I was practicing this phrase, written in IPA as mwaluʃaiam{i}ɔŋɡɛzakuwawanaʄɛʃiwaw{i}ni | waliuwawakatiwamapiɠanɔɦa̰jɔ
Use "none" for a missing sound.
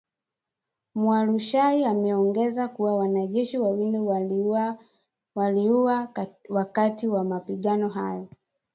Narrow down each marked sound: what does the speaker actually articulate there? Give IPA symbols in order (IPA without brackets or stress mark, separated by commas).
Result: ɛ, i